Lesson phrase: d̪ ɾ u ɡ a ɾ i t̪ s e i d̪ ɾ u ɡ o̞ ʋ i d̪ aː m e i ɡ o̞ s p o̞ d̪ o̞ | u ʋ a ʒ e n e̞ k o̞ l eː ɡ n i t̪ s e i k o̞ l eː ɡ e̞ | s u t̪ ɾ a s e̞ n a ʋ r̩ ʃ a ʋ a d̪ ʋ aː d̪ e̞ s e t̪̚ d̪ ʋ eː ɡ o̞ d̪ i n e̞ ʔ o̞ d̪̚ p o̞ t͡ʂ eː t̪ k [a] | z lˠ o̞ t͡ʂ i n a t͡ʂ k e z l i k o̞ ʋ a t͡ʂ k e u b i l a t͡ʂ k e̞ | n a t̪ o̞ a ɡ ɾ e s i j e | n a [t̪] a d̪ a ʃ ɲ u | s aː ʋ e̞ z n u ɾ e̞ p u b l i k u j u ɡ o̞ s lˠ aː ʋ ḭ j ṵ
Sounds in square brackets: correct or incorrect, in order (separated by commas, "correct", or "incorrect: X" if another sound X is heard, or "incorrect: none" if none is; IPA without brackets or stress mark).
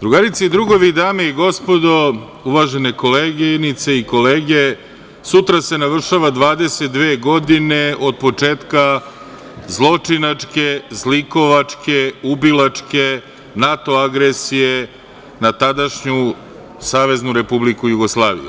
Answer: correct, correct